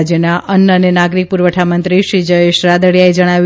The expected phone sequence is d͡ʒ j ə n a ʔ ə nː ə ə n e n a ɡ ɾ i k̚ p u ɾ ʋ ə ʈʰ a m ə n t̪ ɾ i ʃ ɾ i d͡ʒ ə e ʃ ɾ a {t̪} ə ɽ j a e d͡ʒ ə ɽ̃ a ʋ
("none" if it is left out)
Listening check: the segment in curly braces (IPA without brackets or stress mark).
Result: d̪